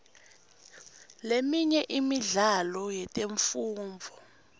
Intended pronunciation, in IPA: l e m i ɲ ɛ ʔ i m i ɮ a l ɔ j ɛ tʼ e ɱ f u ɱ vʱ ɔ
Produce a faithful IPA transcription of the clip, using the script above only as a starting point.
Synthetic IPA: l e m i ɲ ɛ ʔ i m i ɮ a l ɔ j ɛ tʼ e ɱ f uː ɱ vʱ ɔ

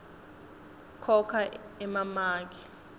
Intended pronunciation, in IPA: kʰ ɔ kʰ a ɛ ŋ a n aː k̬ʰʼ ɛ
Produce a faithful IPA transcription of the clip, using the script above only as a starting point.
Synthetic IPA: kʰ ɔ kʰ a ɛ m a m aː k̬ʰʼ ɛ

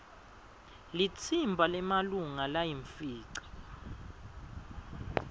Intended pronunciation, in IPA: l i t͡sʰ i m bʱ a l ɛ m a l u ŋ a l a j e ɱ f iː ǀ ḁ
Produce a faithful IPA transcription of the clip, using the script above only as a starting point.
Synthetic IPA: l i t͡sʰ i m bʱ a l ɛ m a l u ŋ a l a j i ɱ f iː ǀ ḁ

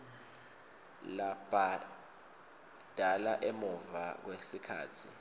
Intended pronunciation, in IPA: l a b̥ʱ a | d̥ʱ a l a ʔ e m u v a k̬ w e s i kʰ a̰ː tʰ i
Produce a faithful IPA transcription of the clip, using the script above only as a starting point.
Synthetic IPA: l a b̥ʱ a | d̥ʱ a l a ʔ e m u v a k̬ w e s i kʰ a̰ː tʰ i

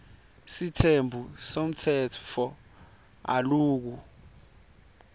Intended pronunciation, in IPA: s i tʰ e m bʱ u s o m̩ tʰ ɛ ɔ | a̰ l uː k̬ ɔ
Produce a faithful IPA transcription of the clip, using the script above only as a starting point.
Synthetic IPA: s i tʰ e m bʱ u s o m̩ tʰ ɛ ɔ | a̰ l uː k̬ u

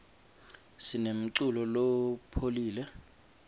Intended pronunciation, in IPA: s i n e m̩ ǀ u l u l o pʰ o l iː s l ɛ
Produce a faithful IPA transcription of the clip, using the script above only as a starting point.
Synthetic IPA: s i n e m̩ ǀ u l ɔ l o pʰ o l iː l ɛ

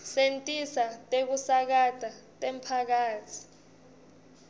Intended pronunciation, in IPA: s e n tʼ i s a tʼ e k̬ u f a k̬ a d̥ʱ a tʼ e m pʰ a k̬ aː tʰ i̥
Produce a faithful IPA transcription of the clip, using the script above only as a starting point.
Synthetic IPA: s e n tʼ i s a tʼ e k̬ u s a k̬ a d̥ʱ a tʼ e m pʰ a k̬ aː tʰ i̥

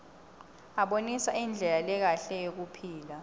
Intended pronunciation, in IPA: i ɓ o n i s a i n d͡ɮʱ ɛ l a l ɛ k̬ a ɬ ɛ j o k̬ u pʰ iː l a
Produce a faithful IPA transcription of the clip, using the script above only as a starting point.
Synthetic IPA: a ɓ o n i s a i n d͡ɮʱ ɛ l a l ɛ k̬ a ɬ ɛ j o k̬ u pʰ iː l a

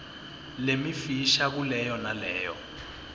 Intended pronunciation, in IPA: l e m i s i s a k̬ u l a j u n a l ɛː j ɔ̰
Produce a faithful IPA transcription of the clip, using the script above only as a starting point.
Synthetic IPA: l e m i f i ʃ a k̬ u l ɛ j ɔ n a l ɛː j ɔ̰

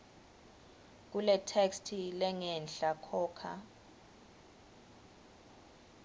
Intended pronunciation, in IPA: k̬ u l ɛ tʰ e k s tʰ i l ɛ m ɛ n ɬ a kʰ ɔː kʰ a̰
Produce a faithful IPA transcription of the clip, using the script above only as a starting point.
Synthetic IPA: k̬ u l ɛ tʰ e k s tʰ i l ɛ ŋ ɛ n ɬ a kʰ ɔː kʰ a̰

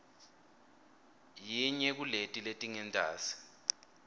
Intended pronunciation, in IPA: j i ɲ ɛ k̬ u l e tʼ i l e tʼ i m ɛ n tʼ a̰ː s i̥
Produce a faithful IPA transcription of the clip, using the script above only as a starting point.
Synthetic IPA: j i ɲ ɛ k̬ u l e tʼ i l e tʼ i ŋ ɛ n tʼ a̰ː s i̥

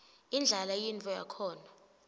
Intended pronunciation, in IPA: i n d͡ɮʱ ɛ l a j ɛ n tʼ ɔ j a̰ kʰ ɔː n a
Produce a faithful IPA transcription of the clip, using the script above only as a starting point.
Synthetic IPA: i n d͡ɮʱ a l a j i n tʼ ɔ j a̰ kʰ ɔː n a

